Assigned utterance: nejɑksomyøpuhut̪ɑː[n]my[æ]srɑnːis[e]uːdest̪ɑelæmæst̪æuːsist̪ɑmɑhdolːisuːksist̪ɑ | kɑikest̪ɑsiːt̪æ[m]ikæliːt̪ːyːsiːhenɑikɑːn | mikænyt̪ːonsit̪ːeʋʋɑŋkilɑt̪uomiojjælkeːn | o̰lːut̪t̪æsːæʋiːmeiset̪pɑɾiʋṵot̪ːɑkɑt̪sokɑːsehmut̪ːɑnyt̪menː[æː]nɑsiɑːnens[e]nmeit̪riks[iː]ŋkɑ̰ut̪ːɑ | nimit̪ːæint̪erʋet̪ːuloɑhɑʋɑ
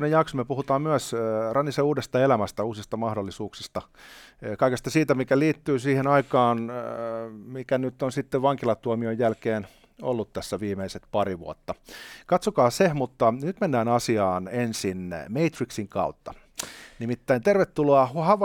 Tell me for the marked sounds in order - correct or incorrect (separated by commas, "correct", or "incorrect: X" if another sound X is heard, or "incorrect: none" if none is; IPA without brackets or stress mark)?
incorrect: m, correct, correct, correct, correct, incorrect: i, incorrect: i